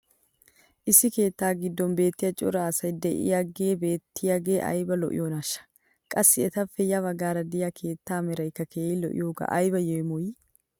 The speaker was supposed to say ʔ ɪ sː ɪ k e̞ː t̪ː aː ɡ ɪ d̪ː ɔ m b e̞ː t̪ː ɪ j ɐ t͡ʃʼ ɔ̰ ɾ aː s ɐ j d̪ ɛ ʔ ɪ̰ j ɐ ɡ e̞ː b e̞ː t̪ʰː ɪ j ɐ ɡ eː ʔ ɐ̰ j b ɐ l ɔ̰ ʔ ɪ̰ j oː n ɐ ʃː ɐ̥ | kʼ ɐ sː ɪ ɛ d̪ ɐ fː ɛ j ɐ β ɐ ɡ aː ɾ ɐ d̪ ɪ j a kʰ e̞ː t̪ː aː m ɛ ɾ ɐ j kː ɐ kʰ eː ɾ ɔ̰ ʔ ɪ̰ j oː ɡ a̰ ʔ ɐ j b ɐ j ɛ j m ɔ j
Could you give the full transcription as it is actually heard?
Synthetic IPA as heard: ʔ ɪ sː ɪ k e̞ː t̪ː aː ɡ ɪ d̪ː ɔ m b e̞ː t̪ː ɪ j ɐ t͡ʃʼ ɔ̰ ɾ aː s ɐ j d̪ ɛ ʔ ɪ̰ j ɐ ɡ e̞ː b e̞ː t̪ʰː ɪ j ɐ ɡ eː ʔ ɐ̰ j b ɐ l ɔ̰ ʔ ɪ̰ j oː n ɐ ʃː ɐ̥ | kʼ ɐ sː ɪ ɛ t̪ ɐ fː ɛ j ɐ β ɐ ɡ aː ɾ ɐ d̪ ɪ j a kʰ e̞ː t̪ː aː m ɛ ɾ ɐ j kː ɐ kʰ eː l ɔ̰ ʔ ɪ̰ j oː ɡ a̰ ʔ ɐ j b ɐ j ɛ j m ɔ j